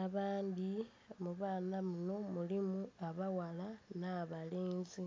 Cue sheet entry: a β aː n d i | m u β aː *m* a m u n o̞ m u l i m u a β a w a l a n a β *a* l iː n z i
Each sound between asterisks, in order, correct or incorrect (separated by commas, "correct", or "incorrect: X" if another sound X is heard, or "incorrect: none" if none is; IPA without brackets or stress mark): incorrect: n, correct